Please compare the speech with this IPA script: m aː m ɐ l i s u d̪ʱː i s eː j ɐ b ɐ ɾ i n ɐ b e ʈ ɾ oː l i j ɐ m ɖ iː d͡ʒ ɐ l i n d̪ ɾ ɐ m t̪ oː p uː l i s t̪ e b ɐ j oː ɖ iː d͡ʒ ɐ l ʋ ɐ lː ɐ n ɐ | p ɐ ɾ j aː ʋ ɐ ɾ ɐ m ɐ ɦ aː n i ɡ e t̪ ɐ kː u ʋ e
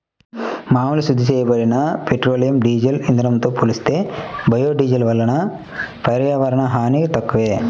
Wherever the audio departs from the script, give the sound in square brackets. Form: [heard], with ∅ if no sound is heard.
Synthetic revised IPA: m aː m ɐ l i s u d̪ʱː i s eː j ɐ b ɐ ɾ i n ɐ [p] e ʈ ɾ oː l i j ɐ m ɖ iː d͡ʒ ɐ l i n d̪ ɾ ɐ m t̪ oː p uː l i s t̪ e b ɐ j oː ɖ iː d͡ʒ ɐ l ʋ ɐ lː ɐ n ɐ | p ɐ ɾ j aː ʋ ɐ ɾ ɐ [ɳ] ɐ ɦ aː n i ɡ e t̪ ɐ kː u ʋ e